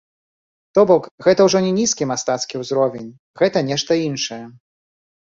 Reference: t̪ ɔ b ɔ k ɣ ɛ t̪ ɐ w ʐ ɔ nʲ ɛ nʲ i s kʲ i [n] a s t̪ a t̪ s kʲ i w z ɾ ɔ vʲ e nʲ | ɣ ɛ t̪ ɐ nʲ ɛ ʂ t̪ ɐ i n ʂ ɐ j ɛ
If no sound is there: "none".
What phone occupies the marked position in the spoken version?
m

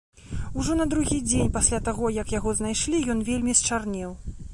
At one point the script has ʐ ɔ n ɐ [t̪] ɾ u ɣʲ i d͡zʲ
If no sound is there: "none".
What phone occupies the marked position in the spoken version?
d̪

